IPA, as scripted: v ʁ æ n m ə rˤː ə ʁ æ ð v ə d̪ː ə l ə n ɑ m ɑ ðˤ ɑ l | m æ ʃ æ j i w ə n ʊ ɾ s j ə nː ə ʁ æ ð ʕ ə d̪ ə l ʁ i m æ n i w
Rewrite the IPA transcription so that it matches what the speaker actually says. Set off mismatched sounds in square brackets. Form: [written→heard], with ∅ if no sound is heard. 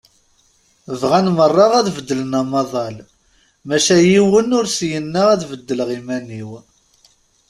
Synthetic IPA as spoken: v ʁ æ n m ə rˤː [ə→ɑ] ʁ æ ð v ə d̪ː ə l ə n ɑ m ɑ ðˤ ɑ l | m æ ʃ æ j i w ə n ʊ ɾ s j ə nː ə ʁ æ ð [ʕ→v] ə [d̪→d̪ː] ə l ʁ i m æ n i w